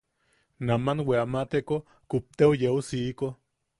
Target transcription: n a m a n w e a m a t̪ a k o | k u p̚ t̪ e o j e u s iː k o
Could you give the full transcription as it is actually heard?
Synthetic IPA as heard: n a m a n w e a m a t̪ e k o | k u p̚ t̪ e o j e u s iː k o